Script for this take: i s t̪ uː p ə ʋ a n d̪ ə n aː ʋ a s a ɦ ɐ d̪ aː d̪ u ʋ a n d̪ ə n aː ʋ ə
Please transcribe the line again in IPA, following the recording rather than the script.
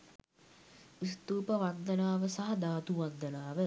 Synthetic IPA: i s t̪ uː p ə ʋ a n d̪ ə n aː ʋ ə s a ɦ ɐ d̪ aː t̪ u ʋ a n d̪ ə n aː ʋ ə